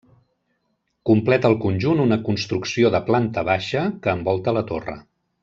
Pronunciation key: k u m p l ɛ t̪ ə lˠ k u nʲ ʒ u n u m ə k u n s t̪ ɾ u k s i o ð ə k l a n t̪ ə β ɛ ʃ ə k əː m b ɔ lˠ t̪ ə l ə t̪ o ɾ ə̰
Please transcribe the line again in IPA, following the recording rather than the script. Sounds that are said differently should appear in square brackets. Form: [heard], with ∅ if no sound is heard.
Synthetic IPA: k u m p l ɛ t̪ ə lˠ k u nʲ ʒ u n u [n] ə k u n s t̪ ɾ u k s i o ð ə [p] l a n t̪ ə β [a] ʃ ə k əː m b ɔ lˠ t̪ ə l ə t̪ o [r] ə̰